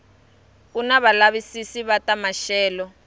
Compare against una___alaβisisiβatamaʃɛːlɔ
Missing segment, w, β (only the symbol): β